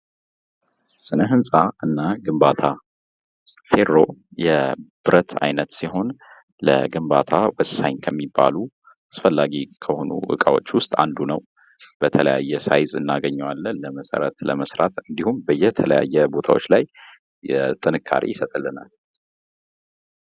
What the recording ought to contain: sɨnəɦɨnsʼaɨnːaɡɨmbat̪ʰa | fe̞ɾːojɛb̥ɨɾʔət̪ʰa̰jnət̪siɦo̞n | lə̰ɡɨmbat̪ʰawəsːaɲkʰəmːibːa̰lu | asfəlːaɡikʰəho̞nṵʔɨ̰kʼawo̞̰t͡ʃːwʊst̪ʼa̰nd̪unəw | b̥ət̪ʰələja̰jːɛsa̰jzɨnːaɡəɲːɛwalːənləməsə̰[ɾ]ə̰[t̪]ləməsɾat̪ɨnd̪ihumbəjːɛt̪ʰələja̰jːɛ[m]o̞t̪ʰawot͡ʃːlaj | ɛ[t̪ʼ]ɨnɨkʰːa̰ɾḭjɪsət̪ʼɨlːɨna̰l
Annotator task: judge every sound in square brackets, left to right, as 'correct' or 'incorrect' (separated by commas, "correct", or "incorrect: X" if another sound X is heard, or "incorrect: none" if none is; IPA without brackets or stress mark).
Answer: correct, correct, incorrect: b, correct